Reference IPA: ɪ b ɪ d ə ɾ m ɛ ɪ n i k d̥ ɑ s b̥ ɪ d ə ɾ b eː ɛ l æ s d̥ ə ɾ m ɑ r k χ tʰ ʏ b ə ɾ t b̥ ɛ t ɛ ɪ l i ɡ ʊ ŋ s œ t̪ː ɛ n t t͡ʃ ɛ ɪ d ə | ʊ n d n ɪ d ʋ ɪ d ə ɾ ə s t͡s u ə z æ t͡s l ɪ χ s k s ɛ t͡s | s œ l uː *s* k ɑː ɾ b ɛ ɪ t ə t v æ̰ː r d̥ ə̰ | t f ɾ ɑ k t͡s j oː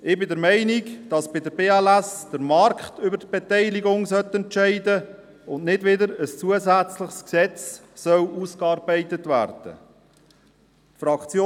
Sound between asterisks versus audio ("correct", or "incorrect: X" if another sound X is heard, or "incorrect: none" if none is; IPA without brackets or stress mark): correct